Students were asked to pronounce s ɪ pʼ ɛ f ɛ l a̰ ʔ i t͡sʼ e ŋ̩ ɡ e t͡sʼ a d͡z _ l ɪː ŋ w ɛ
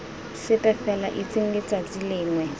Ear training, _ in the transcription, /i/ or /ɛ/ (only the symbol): i